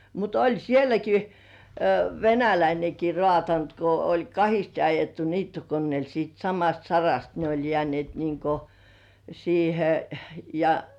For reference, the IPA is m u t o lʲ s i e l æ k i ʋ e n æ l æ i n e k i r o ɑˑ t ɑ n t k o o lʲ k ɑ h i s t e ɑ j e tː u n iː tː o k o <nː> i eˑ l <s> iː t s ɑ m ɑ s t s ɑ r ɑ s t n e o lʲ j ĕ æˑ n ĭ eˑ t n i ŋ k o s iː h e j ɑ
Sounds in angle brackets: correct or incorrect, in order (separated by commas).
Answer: correct, correct